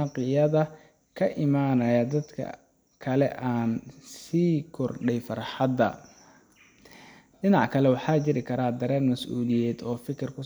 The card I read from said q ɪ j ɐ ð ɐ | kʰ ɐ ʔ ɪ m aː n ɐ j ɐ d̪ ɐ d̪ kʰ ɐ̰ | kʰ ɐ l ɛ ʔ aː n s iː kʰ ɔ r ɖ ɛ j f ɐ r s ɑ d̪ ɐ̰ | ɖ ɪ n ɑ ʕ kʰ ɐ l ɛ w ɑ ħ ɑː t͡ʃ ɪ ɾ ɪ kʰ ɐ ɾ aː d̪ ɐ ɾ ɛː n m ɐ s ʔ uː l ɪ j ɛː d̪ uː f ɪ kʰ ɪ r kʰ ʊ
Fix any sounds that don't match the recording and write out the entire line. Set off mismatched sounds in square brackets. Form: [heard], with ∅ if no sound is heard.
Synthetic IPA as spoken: q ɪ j ɐ ð ɐ | kʰ ɐ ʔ ɪ m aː n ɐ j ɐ d̪ ɐ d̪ kʰ ɐ̰ | kʰ ɐ l ɛ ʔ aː n s iː kʰ ɔ r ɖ ɛ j f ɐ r [ħ] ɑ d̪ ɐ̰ | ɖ ɪ n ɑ ʕ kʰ ɐ l ɛ w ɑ ħ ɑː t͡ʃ ɪ ɾ ɪ kʰ ɐ ɾ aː d̪ ɐ ɾ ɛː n m ɐ s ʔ uː l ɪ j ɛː d̪ [ɔː] f ɪ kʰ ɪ r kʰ ʊ